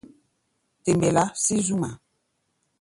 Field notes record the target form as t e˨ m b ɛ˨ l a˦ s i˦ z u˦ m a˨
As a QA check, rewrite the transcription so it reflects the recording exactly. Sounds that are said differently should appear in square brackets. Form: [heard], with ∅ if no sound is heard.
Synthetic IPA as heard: t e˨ m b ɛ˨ l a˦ s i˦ z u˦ m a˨